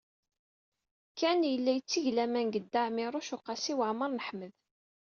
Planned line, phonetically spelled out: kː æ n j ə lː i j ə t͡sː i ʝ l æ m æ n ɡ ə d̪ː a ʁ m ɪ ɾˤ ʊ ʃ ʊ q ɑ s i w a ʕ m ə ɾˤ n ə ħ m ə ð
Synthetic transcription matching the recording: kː æ n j ə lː æ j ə t͡sː i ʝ l æ m æ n ɡ ə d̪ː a ʕ m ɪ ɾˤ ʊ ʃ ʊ q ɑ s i w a ʕ m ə ɾˤ n ə ħ m ə ð